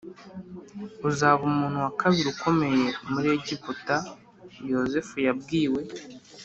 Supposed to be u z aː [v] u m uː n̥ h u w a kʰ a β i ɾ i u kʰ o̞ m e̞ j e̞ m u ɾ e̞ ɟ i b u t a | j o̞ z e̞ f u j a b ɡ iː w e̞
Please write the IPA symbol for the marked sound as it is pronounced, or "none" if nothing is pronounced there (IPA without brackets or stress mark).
β